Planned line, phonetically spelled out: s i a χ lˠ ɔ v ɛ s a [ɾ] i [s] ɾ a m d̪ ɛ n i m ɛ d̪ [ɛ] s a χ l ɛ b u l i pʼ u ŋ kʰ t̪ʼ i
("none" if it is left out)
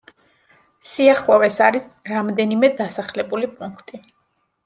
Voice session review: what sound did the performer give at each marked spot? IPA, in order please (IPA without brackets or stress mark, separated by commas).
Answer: ɾ, s, a